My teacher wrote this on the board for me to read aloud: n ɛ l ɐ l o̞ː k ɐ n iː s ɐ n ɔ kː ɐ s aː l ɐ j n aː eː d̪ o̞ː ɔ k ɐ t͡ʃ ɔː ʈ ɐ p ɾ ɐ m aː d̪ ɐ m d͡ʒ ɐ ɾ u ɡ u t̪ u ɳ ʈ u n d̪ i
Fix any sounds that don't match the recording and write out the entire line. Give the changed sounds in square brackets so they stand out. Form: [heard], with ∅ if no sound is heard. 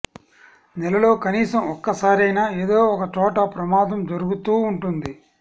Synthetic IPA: n ɛ l ɐ l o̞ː k ɐ n iː s ɐ [m] ɔ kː ɐ s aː [ɾ] ɐ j n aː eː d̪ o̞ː ɔ k ɐ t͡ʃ ɔː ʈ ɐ p ɾ ɐ m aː d̪ ɐ m d͡ʒ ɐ ɾ u ɡ u t̪ [uː] ɳ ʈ u n d̪ i